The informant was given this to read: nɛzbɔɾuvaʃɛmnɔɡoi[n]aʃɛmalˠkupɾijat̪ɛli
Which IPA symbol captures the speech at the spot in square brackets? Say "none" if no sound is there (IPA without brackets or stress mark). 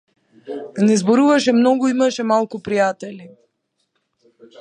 m